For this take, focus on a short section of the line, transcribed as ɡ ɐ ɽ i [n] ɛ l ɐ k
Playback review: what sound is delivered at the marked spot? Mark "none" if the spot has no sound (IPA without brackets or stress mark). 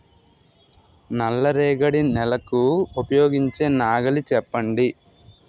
n